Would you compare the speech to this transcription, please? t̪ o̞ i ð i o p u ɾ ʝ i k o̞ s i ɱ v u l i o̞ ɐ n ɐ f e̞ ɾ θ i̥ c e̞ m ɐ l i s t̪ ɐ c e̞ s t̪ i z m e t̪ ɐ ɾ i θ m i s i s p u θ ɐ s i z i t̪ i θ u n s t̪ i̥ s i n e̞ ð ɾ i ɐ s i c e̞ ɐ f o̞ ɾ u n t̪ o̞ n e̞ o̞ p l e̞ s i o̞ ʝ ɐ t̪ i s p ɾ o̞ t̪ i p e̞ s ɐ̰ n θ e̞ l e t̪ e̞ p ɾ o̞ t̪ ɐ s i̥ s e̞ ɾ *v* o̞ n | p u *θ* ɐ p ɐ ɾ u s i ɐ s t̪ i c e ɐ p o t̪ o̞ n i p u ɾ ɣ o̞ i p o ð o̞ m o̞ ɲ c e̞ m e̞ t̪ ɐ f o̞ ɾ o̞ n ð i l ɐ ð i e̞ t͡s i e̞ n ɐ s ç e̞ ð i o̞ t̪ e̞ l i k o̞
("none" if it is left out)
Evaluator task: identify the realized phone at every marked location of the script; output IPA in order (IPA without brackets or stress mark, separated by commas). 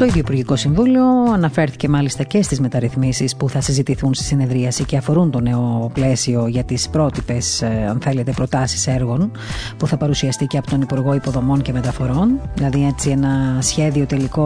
ɣ, θ